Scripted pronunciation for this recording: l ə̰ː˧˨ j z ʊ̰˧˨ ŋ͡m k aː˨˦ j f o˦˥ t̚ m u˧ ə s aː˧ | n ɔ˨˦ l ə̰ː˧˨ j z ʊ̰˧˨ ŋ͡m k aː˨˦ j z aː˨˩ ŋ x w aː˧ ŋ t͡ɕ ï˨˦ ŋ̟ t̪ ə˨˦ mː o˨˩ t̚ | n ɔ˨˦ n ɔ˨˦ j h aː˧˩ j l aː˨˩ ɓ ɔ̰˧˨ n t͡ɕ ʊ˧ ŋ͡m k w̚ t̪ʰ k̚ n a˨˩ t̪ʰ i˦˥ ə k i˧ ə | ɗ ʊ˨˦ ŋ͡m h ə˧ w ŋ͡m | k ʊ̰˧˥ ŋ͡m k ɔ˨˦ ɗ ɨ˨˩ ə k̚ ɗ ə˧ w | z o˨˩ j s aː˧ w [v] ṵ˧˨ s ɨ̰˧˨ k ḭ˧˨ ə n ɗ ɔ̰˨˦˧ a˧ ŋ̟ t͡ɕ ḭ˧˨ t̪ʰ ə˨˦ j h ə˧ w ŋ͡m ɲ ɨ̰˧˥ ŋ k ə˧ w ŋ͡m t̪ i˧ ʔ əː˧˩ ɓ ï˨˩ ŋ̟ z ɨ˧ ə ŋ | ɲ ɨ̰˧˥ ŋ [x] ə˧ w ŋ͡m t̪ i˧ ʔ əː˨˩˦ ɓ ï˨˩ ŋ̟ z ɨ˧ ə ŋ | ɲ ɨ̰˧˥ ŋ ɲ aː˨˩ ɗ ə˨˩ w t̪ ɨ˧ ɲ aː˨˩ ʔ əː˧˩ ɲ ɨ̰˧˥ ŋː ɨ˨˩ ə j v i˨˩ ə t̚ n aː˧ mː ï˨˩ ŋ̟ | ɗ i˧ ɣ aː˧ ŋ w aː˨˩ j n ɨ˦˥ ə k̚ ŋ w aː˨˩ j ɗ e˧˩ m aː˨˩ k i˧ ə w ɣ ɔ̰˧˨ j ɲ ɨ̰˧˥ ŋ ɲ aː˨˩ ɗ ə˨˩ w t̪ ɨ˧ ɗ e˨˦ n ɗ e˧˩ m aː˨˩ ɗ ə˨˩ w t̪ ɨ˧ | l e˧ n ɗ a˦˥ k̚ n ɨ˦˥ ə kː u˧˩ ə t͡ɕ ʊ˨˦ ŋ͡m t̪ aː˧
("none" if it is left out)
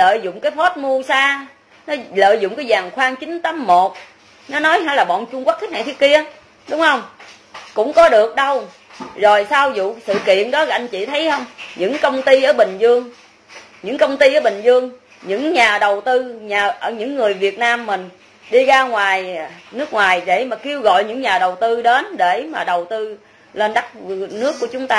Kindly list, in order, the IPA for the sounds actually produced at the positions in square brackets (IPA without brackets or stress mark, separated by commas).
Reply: z, k